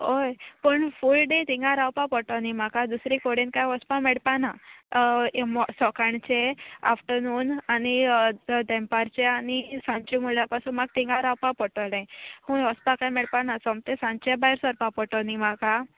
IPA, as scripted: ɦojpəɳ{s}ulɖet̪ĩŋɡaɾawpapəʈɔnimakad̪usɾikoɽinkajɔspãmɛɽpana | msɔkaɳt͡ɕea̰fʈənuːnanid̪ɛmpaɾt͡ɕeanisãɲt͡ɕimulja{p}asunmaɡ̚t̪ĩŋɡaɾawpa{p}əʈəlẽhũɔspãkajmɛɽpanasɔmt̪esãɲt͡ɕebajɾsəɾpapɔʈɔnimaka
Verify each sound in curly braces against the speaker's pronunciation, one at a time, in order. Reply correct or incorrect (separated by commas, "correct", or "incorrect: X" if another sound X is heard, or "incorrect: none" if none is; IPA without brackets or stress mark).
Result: incorrect: f, correct, correct